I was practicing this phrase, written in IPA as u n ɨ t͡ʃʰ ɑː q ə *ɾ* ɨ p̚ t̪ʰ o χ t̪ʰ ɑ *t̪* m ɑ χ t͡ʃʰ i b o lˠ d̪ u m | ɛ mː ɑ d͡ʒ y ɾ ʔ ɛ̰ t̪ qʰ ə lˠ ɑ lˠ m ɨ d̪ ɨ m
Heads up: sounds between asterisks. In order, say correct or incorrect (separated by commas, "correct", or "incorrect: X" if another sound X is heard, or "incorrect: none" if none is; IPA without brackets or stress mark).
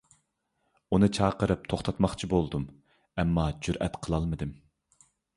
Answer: correct, correct